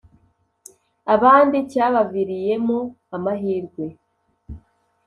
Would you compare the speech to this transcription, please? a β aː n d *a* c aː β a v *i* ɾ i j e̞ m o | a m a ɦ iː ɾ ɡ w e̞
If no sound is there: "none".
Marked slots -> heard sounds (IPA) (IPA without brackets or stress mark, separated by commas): i, i